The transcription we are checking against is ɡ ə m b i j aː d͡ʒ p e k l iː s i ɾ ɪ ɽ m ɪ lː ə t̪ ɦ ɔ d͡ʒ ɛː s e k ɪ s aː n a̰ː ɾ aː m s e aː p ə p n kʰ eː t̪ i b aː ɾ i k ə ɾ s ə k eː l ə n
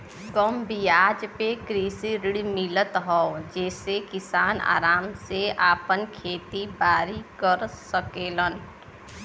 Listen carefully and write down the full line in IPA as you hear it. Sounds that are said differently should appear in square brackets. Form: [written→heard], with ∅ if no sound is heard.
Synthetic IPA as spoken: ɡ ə m b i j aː d͡ʒ p e k [l→ɾ] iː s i ɾ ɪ ɽ m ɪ [lː→l] ə t̪ ɦ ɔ d͡ʒ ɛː s e k ɪ s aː n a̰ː ɾ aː m s e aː p ə [p→∅] n kʰ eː t̪ i b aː ɾ i k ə ɾ s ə k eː l ə n